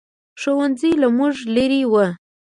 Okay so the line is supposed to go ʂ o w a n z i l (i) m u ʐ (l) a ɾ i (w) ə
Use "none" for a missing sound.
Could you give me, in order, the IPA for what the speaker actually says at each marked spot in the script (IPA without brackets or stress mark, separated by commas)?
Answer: a, l, w